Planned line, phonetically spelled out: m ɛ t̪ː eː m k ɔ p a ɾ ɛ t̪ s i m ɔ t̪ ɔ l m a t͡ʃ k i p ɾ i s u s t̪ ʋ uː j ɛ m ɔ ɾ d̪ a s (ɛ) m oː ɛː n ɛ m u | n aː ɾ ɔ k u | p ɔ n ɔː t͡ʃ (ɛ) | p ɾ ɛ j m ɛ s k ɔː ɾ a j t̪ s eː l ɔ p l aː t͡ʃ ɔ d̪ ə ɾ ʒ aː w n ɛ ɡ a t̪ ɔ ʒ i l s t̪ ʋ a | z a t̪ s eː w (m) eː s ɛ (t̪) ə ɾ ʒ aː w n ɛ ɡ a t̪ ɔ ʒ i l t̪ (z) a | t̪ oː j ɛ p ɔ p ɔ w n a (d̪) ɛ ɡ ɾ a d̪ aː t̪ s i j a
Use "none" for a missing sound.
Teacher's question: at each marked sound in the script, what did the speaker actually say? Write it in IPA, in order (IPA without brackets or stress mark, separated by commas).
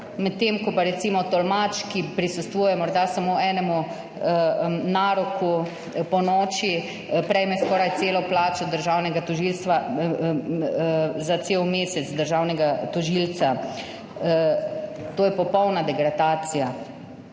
a, i, m, d̪, s, d̪